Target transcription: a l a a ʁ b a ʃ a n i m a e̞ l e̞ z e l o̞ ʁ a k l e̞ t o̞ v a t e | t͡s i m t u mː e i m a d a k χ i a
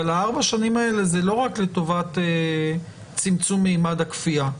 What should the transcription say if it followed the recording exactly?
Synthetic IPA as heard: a l a a ʁ b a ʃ a n i m a e̞ l e̞ z e l o̞ ʁ a k l e̞ t o̞ v a t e | t͡s i m t͡s u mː e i m a d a k f i a